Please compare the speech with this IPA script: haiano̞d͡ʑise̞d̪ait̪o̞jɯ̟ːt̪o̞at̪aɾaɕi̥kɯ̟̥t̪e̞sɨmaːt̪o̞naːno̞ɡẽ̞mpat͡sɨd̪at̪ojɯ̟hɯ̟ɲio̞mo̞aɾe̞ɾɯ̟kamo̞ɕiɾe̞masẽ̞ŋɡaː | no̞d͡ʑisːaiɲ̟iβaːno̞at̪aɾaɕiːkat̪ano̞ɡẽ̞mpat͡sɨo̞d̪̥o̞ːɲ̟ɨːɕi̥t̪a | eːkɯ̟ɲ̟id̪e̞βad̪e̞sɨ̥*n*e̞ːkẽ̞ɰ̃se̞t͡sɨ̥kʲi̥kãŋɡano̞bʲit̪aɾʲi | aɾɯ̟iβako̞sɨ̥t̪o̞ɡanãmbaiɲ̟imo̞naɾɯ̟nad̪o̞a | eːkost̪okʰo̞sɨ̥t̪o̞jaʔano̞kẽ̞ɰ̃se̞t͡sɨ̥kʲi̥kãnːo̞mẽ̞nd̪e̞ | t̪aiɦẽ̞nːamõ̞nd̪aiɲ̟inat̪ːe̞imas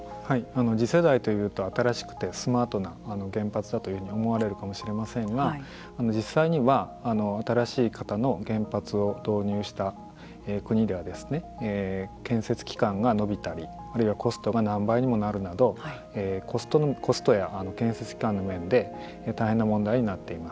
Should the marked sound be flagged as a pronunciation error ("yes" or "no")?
no